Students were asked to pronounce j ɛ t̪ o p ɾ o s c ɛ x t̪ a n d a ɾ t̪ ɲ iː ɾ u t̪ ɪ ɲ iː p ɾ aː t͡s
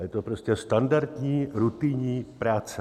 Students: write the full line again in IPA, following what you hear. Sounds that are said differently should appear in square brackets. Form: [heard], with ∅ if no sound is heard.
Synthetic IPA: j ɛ t̪ o p ɾ o s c ɛ [s] t̪ a n d a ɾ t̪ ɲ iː ɾ u t̪ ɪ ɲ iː p ɾ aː t͡s